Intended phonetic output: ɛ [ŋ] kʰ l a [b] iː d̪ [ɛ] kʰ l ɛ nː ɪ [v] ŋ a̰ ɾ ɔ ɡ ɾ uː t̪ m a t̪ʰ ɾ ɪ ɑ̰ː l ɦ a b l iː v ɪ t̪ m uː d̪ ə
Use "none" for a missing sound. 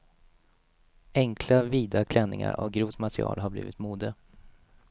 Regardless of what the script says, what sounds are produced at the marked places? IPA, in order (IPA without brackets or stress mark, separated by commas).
ŋ, v, a, none